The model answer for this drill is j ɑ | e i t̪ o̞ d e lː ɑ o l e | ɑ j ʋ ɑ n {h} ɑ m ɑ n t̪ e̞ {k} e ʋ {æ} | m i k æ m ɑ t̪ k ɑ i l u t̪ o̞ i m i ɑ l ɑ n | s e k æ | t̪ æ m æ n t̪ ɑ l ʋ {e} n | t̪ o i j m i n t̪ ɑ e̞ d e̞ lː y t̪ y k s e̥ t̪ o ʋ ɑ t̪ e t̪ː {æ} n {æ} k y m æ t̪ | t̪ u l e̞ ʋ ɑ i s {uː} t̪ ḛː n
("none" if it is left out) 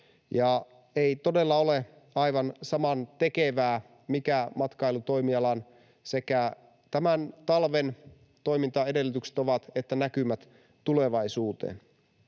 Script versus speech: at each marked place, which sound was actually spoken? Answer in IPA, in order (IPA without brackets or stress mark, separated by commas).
s, k, æː, e, æ, æ, uː